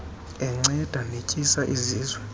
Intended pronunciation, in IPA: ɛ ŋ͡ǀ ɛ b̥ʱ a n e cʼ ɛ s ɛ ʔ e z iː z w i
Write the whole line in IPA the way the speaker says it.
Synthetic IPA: ɛ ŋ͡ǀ ɛ d̥ʱ a n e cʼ i s a ʔ i z iː z w ɛ